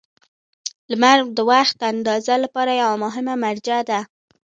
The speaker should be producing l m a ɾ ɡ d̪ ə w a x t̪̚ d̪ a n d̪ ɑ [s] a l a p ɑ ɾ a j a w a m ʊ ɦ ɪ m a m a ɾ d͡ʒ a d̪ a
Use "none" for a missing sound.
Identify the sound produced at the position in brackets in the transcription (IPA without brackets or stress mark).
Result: z